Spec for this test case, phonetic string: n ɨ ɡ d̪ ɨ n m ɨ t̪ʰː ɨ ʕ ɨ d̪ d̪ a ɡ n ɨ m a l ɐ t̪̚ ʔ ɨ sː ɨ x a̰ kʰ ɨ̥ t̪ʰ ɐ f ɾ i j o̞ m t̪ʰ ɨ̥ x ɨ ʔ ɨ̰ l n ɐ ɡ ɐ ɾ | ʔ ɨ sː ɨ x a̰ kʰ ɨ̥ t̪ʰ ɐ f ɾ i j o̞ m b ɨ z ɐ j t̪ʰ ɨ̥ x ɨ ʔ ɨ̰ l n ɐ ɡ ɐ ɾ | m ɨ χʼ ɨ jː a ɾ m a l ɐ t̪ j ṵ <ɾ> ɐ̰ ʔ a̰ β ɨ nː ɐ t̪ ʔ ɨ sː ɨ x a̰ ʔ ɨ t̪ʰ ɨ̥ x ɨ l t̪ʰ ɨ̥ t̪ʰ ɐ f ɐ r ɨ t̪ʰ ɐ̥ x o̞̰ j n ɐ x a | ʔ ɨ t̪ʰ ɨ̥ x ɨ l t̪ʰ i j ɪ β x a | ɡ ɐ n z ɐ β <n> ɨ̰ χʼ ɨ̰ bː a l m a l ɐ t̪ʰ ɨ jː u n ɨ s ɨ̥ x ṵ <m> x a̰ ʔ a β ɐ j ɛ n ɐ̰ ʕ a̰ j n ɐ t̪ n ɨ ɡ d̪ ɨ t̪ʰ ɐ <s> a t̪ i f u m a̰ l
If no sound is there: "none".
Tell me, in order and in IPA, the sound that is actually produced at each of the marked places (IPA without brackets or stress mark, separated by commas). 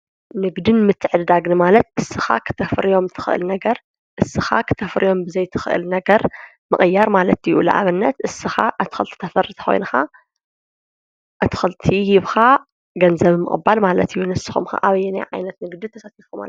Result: l, m, m, s